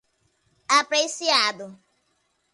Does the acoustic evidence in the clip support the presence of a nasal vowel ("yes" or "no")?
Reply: no